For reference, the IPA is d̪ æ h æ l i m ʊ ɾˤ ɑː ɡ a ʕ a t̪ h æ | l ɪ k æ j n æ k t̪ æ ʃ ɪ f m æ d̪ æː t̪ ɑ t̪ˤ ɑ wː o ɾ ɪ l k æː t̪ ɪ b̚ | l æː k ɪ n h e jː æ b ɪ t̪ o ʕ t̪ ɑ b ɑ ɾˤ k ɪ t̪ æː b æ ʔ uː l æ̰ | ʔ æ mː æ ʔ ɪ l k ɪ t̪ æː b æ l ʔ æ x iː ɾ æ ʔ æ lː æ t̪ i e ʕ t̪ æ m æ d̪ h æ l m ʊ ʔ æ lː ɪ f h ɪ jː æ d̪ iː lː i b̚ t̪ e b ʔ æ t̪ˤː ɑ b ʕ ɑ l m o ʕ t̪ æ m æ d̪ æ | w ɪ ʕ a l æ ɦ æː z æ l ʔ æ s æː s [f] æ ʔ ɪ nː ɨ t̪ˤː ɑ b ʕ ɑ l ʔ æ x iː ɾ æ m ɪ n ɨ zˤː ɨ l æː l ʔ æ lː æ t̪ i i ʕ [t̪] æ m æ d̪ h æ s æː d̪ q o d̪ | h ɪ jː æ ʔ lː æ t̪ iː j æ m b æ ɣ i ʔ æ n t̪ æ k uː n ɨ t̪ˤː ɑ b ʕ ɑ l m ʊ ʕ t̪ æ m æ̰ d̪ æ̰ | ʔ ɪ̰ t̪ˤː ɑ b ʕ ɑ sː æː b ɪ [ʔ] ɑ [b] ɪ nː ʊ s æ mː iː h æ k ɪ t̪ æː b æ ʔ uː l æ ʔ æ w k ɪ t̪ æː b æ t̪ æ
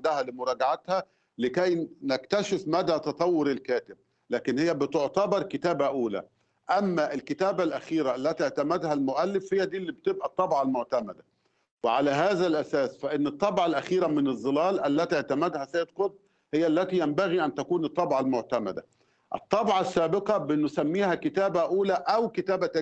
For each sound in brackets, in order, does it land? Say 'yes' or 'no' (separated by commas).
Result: yes, yes, no, yes